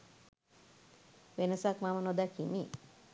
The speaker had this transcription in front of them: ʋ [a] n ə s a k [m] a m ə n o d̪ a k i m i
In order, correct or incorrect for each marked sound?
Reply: incorrect: e, correct

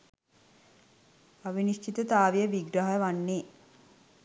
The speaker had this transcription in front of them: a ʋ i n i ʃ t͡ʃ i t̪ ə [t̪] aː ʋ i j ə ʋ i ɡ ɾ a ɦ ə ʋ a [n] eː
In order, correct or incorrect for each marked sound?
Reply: correct, incorrect: nː

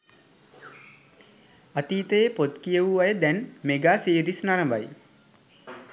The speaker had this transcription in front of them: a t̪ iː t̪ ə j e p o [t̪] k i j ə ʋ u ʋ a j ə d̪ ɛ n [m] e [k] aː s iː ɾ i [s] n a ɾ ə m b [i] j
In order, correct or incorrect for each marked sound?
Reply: correct, correct, incorrect: ɡ, correct, incorrect: a

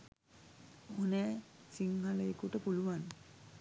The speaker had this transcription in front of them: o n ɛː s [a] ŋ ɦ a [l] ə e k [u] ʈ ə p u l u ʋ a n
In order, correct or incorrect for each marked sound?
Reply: incorrect: i, correct, correct

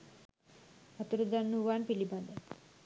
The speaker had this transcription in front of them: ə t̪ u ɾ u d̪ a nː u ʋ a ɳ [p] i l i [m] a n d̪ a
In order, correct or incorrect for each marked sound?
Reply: correct, incorrect: b

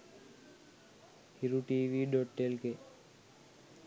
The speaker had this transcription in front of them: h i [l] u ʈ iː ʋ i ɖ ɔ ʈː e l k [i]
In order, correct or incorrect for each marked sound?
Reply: incorrect: ɾ, incorrect: e

